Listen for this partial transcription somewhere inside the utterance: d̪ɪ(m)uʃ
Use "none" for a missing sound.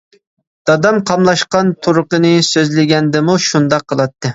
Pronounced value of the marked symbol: m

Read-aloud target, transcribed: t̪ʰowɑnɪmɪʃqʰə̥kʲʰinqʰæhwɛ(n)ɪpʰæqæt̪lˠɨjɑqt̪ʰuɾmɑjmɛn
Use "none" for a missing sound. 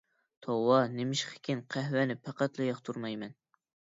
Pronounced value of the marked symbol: n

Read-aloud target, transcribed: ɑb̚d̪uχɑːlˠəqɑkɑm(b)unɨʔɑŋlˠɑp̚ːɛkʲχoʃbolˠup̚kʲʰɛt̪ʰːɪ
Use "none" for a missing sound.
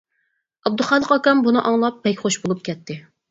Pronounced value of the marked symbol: b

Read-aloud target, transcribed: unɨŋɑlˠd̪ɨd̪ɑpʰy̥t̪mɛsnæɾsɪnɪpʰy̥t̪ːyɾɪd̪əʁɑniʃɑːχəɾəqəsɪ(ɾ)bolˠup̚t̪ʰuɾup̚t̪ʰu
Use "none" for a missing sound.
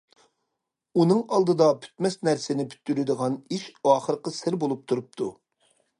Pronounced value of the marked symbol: ɾ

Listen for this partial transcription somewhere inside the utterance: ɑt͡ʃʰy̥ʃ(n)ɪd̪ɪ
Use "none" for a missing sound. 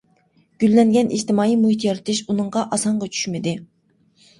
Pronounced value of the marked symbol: m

